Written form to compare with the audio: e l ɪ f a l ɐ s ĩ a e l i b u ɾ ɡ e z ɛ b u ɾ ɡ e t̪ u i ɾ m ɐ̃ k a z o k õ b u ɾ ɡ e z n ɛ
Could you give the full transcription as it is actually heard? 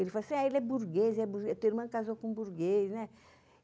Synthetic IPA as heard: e l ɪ f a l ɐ s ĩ a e l ɛ b u ɾ ɡ e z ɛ b u ɾ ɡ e t̪ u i ɾ m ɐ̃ k a z o k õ b u ɾ ɡ e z n ɛ